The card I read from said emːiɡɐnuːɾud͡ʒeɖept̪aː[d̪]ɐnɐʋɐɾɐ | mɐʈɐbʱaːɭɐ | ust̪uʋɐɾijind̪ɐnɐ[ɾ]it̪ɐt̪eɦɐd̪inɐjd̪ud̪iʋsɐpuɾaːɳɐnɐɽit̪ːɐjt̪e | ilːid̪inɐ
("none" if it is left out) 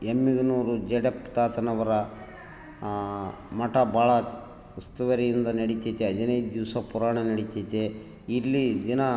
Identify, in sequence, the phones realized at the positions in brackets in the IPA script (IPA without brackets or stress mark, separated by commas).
t̪, ɽ